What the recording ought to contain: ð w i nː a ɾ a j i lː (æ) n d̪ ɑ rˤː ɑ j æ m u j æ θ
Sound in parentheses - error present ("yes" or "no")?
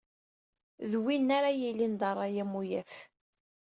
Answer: yes